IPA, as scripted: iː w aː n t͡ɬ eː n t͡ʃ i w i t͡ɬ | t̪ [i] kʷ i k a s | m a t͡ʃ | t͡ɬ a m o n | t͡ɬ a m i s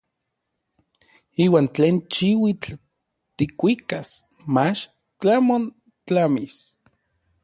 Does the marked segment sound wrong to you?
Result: no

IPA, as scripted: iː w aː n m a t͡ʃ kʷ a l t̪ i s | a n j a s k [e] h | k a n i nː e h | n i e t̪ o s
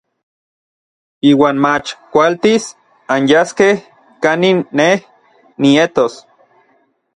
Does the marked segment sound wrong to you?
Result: no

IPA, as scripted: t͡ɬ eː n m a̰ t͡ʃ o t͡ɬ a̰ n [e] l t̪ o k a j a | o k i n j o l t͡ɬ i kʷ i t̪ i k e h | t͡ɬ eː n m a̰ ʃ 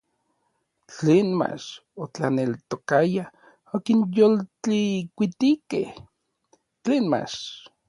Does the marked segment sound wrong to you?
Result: no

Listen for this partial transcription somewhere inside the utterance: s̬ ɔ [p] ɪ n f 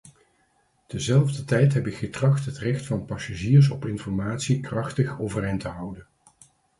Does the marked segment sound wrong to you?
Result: no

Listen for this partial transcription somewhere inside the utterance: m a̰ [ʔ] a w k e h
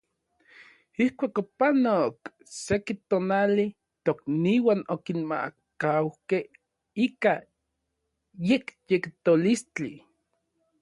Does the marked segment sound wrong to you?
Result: yes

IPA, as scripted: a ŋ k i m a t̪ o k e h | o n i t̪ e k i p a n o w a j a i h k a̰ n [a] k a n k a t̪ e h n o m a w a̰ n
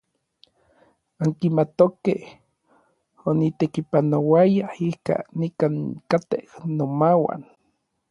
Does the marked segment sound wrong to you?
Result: yes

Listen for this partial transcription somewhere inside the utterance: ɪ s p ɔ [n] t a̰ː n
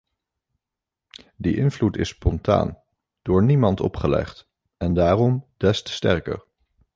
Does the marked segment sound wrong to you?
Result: no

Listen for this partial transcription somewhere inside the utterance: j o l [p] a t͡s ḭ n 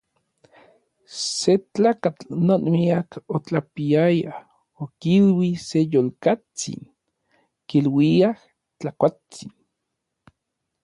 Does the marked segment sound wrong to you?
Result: yes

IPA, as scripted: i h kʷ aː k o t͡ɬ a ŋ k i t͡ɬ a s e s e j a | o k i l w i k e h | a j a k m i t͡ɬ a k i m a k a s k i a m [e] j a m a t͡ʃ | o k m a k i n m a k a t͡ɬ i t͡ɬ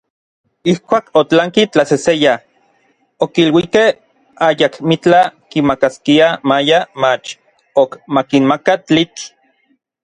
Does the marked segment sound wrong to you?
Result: yes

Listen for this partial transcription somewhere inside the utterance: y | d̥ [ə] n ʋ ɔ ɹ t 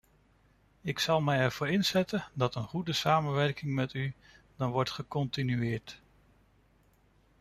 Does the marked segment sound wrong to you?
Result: yes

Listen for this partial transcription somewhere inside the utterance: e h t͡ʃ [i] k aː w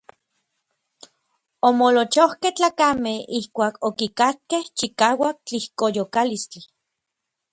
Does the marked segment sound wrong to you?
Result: no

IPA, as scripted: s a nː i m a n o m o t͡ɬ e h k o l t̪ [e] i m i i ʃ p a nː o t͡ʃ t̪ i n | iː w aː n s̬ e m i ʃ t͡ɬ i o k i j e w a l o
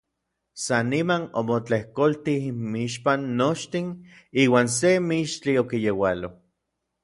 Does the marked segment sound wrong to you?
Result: yes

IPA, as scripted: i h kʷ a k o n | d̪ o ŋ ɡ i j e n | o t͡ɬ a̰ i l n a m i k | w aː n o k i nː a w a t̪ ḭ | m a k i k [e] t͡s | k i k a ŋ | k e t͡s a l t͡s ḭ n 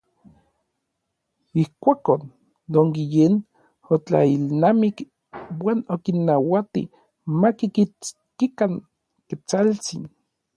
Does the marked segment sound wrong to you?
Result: yes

